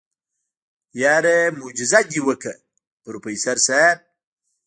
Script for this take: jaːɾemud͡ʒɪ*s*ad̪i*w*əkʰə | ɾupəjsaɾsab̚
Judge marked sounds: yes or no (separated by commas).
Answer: no, yes